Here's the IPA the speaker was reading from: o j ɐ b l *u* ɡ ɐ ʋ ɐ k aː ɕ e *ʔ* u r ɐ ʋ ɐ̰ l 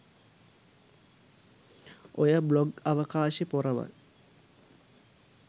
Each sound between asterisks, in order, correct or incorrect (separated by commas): incorrect, incorrect